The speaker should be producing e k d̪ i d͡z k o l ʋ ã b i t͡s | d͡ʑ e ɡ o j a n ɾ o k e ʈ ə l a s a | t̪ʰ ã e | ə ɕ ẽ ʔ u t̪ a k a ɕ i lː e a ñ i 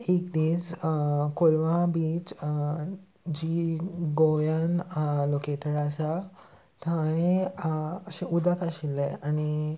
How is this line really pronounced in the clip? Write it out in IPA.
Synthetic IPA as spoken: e k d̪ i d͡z k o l ʋ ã b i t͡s | d͡ʑ i ɡ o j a n l o k e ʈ ə ɾ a s a | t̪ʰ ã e | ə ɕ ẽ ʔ u d̪ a k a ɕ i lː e a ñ i